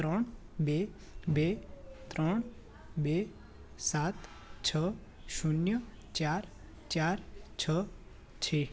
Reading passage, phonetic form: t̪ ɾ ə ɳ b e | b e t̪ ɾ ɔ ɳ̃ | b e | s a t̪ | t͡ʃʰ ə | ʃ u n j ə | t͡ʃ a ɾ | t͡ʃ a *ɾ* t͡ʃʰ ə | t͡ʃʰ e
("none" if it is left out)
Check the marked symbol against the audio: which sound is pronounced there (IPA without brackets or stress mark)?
ɾ